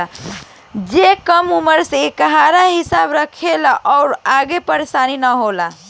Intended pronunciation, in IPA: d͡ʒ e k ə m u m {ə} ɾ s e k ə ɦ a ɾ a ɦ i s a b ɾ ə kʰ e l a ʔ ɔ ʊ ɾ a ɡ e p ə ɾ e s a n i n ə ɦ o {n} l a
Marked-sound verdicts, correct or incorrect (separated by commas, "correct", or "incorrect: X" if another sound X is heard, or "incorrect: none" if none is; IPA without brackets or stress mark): correct, incorrect: none